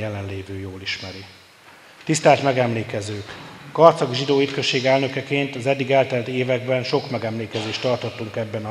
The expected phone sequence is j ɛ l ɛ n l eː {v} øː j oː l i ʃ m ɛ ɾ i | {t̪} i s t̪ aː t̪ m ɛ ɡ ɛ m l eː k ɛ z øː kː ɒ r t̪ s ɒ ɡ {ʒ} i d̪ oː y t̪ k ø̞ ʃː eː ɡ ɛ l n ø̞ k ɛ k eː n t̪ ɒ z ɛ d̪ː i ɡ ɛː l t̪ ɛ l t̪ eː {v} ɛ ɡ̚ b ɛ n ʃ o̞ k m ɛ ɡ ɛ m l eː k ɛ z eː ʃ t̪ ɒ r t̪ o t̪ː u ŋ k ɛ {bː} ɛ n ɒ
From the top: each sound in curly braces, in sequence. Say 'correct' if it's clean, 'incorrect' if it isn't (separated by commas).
correct, correct, correct, correct, correct